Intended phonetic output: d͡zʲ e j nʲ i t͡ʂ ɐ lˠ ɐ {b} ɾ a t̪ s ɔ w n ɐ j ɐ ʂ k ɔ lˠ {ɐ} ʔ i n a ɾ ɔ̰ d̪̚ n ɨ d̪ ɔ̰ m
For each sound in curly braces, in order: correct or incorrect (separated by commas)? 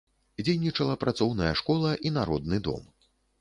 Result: incorrect, correct